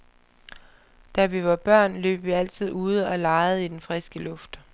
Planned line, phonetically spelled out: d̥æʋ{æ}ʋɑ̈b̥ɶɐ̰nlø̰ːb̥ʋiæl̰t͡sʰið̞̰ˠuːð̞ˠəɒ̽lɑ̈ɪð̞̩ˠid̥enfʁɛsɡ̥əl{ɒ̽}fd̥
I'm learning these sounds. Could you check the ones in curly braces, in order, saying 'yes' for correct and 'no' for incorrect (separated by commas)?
no, no